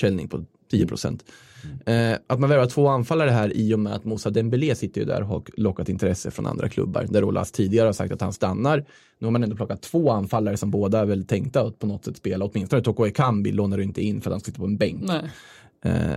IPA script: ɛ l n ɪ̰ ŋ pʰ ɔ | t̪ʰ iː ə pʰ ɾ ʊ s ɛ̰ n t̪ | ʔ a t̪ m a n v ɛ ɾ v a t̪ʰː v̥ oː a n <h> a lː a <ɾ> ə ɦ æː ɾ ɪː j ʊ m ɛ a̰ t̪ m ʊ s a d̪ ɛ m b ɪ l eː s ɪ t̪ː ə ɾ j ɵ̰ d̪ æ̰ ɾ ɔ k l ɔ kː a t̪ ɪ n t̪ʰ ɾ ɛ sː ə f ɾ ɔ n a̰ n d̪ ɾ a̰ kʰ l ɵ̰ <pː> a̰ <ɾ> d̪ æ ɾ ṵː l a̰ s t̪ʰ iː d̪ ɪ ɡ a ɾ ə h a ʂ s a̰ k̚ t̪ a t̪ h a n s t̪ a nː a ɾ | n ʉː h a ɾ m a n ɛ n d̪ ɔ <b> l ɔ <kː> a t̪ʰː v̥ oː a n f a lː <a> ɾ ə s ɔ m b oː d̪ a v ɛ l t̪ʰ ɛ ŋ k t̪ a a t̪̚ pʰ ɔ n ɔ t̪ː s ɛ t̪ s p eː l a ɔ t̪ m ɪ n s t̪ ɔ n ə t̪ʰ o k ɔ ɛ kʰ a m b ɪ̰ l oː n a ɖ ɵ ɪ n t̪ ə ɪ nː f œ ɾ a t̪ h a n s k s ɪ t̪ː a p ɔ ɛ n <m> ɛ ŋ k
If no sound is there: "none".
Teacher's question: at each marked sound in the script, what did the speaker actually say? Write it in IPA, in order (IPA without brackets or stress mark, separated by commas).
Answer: f, ɾ, bː, ɾ, p, kː, a, b